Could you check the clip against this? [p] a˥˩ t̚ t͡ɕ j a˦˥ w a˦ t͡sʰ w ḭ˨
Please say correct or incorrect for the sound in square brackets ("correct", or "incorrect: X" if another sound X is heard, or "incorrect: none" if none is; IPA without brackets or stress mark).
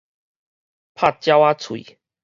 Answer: incorrect: pʰ